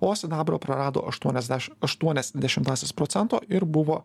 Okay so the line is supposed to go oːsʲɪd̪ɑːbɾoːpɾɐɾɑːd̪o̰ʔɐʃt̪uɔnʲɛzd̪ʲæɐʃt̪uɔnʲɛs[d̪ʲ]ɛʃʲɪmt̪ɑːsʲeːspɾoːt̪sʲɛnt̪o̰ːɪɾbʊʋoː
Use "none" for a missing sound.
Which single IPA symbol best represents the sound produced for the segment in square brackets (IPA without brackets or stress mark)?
d̪ʲ